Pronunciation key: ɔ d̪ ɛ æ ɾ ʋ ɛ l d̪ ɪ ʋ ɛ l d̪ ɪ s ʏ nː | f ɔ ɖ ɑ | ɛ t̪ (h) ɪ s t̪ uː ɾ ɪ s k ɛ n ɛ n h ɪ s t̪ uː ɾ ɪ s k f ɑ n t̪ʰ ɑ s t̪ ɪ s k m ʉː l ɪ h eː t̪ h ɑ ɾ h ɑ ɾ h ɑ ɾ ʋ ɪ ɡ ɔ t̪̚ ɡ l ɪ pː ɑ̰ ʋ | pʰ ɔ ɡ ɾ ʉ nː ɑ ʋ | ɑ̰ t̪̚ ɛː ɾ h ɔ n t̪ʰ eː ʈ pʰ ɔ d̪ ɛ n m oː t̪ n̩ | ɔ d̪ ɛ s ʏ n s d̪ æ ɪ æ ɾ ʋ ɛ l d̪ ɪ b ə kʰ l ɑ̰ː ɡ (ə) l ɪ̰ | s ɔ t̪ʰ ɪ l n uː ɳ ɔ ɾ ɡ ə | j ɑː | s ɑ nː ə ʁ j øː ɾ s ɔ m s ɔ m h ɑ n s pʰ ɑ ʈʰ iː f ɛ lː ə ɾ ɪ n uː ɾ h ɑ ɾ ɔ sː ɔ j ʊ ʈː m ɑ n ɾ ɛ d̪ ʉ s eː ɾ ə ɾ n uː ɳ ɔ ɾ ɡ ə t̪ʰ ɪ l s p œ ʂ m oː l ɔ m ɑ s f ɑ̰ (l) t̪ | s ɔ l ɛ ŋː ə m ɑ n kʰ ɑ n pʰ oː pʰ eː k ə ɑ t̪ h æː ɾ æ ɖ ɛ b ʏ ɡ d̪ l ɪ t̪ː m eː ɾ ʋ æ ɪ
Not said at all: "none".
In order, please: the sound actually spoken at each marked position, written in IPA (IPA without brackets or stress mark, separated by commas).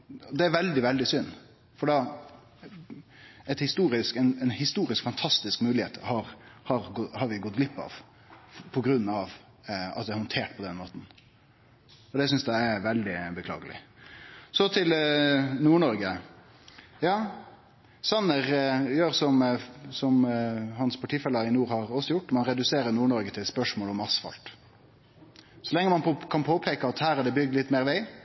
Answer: h, ə, l